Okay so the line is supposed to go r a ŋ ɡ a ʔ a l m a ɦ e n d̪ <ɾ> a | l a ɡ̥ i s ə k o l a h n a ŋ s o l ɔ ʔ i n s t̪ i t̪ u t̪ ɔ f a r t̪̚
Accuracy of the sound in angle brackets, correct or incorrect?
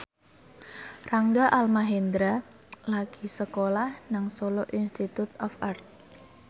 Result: correct